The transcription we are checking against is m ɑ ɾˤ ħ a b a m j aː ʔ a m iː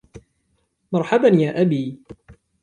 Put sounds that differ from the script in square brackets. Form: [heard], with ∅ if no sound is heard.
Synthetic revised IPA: m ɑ ɾˤ ħ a b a [n] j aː ʔ a [b] iː